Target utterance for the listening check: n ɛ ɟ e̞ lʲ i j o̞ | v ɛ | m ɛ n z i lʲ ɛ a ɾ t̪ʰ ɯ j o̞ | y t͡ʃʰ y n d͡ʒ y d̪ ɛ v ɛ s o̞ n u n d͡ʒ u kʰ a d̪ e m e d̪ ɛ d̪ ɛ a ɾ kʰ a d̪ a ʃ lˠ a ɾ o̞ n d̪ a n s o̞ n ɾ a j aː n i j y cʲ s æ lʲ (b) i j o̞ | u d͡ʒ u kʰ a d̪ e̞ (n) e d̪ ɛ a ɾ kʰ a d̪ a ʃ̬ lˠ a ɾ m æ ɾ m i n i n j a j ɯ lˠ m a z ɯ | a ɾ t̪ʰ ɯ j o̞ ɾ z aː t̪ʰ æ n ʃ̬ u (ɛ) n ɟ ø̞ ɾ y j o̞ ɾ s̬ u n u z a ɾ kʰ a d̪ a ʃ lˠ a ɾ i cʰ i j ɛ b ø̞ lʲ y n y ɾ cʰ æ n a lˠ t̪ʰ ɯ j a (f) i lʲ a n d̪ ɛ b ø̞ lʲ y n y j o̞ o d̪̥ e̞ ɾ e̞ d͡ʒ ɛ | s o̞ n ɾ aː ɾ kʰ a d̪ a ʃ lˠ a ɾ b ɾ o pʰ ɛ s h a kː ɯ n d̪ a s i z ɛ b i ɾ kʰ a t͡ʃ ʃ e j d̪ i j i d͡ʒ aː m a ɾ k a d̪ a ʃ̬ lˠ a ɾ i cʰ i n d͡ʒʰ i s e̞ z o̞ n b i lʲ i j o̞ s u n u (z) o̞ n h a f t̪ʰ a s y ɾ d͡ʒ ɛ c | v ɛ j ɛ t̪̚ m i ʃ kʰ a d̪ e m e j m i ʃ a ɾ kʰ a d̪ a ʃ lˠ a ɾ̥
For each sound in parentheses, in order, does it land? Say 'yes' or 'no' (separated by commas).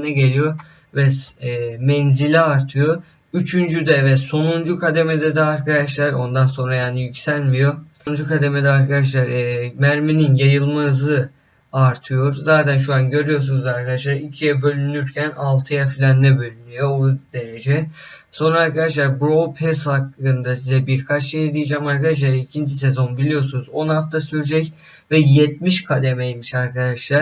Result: no, no, no, yes, yes